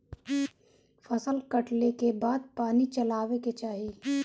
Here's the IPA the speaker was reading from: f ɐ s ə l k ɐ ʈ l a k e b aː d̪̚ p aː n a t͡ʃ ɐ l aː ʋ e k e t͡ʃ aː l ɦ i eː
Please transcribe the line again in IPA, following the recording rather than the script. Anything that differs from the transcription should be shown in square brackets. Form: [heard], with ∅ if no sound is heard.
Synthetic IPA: f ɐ s ə l k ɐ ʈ l [e] k e b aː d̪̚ p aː n [i] t͡ʃ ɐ l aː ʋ e k e t͡ʃ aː [∅] ɦ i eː